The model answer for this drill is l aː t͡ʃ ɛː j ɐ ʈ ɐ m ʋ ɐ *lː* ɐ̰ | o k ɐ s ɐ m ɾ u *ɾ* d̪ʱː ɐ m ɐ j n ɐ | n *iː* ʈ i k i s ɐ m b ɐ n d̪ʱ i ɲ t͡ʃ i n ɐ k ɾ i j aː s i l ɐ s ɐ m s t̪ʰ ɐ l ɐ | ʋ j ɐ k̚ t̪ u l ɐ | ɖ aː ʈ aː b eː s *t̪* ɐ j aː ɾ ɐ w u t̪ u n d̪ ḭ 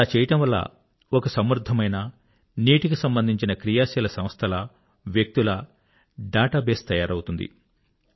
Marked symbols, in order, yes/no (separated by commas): yes, no, yes, yes